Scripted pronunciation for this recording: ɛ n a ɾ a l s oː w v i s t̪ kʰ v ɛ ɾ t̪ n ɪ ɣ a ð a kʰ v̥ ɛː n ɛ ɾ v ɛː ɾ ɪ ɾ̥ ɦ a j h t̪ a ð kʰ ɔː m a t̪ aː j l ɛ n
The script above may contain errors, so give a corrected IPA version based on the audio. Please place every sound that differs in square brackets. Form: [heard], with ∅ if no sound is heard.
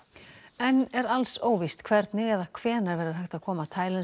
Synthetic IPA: ɛ n [ɛ] ɾ a l s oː w v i s t̪ kʰ v ɛ ɾ t̪ n ɪ ɣ [ɛ] ð a kʰ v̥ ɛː n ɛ ɾ v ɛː ɾ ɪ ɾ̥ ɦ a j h t̪ a ð kʰ ɔː m a [t̪ʰ] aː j l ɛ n